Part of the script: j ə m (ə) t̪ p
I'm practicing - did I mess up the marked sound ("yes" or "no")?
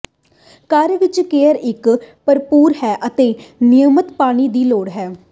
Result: no